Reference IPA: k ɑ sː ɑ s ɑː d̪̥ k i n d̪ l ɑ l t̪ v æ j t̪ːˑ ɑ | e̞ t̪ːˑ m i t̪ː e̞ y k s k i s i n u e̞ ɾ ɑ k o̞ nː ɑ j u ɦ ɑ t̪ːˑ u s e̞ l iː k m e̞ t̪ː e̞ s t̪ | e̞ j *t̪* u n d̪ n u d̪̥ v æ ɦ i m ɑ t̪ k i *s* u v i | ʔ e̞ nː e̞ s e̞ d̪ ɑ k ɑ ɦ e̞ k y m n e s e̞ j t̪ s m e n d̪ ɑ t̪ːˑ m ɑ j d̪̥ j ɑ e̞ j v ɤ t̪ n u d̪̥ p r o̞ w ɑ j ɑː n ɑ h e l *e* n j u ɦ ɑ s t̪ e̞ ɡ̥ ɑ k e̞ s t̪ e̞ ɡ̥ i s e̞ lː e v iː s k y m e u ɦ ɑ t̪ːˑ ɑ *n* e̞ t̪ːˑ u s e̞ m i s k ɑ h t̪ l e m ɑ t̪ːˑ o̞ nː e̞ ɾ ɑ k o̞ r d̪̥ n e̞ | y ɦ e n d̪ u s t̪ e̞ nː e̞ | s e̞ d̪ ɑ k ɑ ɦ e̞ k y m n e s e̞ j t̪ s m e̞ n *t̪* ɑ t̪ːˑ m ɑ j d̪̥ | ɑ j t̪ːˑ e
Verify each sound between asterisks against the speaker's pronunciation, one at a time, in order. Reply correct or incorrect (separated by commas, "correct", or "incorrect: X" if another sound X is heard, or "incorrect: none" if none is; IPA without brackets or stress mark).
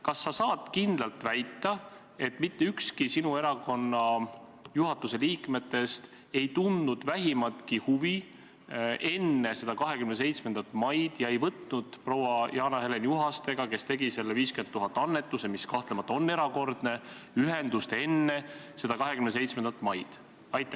correct, incorrect: h, correct, incorrect: nː, incorrect: d̪